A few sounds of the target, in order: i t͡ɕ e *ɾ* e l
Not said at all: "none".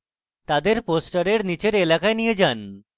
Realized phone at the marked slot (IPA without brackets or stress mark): ɾ